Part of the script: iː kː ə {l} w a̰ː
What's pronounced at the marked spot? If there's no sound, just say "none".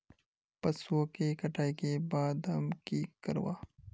ɾ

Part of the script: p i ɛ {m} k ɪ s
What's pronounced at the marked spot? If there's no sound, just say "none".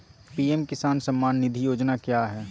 m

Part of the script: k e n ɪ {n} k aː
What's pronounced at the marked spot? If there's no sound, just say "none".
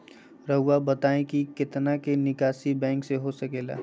none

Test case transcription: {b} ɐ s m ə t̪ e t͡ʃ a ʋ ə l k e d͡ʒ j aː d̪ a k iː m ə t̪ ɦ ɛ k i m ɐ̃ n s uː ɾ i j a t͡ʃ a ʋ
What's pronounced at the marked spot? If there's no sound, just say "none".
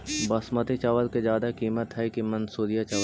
b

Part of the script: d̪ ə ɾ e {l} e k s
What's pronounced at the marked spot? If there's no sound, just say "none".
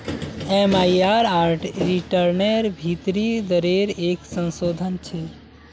ɾ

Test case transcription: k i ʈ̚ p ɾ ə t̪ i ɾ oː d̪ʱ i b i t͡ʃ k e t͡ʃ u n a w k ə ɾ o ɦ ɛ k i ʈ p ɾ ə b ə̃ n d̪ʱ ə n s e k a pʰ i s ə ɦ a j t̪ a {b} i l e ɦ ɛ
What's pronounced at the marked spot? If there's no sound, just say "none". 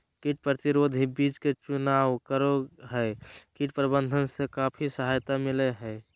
m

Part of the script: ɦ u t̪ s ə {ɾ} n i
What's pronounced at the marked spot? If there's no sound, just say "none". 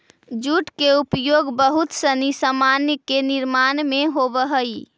none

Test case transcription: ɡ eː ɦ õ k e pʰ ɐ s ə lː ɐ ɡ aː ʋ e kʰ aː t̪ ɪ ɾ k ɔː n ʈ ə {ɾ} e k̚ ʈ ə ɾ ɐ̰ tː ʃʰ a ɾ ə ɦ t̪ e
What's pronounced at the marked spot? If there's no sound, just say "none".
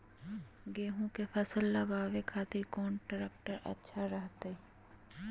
ɾ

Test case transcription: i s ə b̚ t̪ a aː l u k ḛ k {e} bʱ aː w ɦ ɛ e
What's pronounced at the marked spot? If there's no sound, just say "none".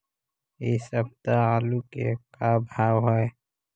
a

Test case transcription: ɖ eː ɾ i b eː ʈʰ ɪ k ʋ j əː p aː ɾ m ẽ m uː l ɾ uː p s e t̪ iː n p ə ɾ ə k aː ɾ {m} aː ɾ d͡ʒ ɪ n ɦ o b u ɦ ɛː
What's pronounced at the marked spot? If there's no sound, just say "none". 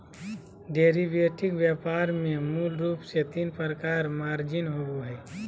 m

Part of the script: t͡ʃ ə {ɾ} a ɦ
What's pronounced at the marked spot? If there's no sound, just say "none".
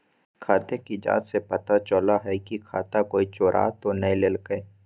l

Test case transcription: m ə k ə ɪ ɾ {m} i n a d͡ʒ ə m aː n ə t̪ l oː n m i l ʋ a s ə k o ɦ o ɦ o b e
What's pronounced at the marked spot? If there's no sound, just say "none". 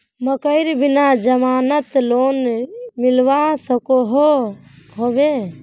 b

